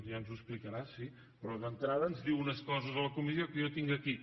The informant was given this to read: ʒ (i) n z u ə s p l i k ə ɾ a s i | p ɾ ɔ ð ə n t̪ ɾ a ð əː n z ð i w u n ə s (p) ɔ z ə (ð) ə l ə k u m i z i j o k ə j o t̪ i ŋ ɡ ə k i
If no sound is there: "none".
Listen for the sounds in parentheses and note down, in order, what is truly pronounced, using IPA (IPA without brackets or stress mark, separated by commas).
a, k, z